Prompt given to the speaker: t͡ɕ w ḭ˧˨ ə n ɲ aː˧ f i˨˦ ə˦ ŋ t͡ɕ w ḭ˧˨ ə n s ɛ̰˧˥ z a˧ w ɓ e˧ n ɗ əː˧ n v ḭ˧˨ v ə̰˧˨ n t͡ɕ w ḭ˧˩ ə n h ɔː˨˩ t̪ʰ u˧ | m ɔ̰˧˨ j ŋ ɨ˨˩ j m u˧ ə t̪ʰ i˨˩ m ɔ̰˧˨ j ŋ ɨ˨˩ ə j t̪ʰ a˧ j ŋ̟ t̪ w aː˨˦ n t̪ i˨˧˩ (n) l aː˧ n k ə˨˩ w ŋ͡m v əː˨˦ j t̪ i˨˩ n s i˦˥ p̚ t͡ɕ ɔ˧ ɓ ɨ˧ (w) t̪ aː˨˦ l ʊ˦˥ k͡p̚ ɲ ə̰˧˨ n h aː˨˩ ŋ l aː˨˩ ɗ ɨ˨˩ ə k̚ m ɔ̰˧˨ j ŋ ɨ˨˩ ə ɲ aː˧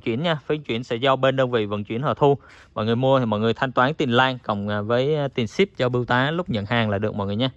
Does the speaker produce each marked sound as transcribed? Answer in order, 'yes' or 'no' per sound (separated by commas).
yes, yes